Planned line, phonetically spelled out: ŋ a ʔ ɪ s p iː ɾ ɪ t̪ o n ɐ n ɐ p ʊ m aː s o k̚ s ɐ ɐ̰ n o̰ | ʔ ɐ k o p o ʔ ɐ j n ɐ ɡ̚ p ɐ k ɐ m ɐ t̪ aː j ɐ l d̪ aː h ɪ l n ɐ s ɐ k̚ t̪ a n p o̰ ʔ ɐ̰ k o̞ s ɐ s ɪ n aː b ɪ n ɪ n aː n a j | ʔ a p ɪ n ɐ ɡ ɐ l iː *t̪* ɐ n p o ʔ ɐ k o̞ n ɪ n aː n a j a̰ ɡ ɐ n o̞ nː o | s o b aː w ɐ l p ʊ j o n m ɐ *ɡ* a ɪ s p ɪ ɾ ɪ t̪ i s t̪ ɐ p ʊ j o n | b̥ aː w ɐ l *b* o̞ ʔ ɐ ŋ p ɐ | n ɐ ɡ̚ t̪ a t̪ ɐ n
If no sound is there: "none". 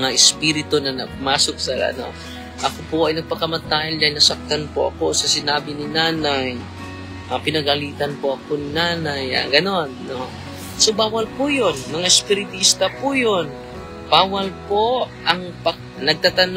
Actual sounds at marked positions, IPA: t̪, ŋ, p

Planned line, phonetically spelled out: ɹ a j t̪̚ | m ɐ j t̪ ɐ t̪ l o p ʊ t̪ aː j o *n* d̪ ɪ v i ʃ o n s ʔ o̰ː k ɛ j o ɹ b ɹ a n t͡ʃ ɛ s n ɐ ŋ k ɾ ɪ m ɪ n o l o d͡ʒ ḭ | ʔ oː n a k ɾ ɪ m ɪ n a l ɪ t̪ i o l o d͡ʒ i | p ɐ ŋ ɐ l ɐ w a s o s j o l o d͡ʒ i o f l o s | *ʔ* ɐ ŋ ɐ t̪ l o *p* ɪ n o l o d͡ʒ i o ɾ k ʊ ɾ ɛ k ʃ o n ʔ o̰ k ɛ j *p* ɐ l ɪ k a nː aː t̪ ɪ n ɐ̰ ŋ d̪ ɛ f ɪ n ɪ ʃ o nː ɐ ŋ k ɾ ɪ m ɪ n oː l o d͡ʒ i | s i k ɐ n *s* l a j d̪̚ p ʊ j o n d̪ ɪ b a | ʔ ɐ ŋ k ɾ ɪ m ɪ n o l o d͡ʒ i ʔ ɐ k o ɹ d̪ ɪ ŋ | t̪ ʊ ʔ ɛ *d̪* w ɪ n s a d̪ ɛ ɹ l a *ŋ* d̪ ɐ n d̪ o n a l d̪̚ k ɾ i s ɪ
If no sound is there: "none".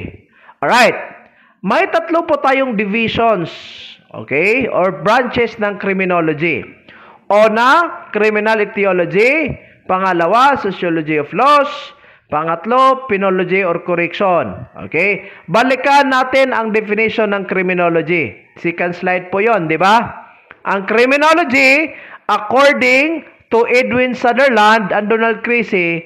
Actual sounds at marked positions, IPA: ŋ, p, p, b, s, d̪, n

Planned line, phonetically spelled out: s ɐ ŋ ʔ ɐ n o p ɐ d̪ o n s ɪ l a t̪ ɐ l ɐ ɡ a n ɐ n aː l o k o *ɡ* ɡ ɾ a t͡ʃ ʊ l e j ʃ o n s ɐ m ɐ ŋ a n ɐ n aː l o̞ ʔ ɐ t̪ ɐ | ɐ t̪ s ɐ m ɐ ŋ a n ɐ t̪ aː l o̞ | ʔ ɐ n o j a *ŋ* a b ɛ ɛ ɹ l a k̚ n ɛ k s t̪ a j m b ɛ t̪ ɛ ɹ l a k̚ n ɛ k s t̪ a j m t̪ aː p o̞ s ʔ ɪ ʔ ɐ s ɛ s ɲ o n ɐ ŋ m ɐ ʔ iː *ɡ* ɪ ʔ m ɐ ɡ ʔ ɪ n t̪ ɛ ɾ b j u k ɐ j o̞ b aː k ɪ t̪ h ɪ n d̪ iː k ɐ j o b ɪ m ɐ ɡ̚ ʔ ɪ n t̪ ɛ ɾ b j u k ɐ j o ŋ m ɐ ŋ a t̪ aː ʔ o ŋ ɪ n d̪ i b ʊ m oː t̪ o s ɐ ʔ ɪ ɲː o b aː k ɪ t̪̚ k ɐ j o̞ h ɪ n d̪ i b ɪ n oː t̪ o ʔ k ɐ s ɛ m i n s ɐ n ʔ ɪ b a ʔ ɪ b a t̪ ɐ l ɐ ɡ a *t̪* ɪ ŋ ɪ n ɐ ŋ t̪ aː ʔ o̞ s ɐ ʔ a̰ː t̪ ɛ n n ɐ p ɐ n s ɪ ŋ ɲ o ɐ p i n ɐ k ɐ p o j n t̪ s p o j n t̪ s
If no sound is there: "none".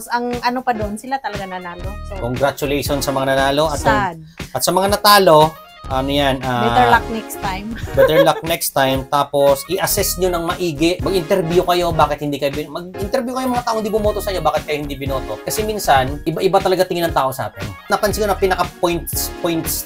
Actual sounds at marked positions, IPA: ŋ, n, ɡ, t̪

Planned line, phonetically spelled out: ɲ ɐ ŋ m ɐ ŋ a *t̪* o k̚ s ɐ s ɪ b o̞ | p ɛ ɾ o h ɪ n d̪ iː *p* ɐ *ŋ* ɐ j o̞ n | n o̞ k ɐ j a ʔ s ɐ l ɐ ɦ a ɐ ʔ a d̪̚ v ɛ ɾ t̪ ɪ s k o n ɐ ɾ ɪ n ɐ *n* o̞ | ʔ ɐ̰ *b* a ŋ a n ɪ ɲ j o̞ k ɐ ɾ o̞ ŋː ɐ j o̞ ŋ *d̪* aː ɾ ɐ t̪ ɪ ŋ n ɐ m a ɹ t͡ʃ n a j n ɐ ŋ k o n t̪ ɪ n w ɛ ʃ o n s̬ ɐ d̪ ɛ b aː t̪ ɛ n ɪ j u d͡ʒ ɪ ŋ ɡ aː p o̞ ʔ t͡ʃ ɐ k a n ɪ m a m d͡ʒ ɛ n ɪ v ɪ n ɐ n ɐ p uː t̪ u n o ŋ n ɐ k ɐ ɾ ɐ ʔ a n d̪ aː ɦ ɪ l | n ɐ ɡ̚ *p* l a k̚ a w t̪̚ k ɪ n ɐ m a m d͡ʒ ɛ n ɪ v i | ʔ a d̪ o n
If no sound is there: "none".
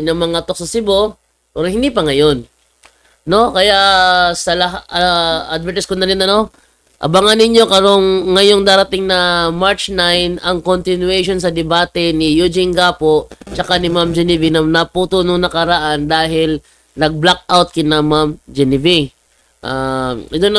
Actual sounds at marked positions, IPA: t̪, p, ŋ, n, b, d̪, b

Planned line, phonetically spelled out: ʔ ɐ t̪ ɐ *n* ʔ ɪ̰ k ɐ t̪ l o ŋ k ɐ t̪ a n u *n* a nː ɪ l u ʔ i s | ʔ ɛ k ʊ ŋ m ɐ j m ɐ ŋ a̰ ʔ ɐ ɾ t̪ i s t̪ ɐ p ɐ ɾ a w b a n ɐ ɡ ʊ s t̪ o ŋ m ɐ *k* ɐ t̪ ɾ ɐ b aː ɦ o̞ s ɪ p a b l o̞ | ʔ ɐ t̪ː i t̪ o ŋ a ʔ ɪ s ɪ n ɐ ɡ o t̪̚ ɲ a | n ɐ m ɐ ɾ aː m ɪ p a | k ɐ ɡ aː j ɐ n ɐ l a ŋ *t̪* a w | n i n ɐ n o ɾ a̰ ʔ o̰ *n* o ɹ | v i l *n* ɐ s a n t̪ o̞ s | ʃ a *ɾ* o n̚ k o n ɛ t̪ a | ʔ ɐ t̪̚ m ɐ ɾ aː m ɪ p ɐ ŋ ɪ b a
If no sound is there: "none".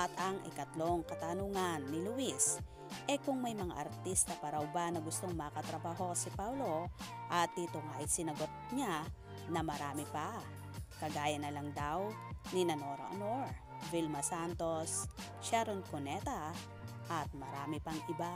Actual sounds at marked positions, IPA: ŋ, ŋ, k, d̪, n, m, ɾ

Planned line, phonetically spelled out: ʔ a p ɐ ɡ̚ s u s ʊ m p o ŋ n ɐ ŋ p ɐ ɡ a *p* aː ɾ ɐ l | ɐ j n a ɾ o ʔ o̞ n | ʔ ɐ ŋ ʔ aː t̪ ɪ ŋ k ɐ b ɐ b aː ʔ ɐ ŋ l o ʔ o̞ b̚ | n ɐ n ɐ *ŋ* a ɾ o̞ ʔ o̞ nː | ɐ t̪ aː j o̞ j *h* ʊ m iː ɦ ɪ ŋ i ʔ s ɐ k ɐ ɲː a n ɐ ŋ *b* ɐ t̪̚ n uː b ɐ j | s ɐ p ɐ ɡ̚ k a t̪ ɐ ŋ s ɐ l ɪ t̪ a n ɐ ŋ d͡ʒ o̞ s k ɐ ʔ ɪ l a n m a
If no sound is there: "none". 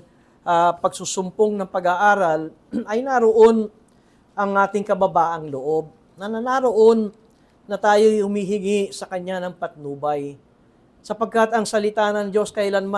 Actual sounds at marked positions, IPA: ʔ, n, h, p

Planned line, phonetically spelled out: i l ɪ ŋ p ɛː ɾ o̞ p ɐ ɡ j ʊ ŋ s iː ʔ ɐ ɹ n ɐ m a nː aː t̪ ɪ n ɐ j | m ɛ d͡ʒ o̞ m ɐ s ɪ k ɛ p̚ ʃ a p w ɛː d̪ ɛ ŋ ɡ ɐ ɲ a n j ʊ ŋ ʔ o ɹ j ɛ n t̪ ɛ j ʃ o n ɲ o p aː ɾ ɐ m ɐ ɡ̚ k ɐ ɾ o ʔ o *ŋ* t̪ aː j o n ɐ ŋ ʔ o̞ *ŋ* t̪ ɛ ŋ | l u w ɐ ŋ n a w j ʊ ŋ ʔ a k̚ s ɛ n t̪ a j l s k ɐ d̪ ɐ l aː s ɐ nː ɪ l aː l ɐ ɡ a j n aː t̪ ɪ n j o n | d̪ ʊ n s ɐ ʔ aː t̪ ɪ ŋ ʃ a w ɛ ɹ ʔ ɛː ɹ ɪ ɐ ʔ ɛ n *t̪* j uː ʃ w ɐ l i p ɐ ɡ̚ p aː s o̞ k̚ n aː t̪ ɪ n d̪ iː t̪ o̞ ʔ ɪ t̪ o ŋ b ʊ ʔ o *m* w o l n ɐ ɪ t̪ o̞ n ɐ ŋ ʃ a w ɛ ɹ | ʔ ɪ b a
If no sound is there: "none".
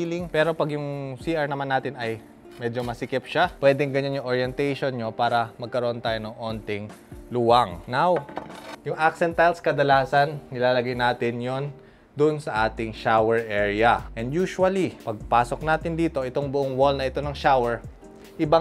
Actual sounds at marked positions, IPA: n, n, d̪, ŋ

